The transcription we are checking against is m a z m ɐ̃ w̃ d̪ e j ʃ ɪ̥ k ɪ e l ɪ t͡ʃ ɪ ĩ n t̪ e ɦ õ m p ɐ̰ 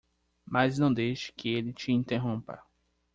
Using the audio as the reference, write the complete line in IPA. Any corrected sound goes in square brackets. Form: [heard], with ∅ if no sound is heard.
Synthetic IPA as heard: m a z [n] ɐ̃ w̃ d̪ e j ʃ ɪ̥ k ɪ e l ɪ t͡ʃ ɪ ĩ n t̪ e ɦ õ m p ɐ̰